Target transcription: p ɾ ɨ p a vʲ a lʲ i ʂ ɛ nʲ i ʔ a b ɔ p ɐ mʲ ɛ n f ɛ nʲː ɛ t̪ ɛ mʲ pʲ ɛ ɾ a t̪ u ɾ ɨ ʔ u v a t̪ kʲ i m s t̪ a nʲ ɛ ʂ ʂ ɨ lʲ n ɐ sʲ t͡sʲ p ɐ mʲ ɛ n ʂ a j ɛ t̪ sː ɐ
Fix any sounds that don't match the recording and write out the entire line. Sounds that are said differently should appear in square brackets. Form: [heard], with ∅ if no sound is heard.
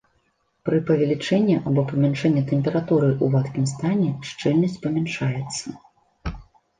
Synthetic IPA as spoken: p ɾ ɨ p [ɐ] vʲ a lʲ i [t͡ʂ] ɛ [nʲː] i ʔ a b ɔ p ɐ mʲ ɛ n [ʂ] ɛ nʲː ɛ t̪ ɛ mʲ pʲ ɛ ɾ a t̪ u ɾ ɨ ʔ u v a t̪ kʲ i m s t̪ a nʲ ɛ ʂ [t͡ʂ] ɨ lʲ n ɐ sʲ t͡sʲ p ɐ mʲ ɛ n ʂ a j ɛ t̪ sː ɐ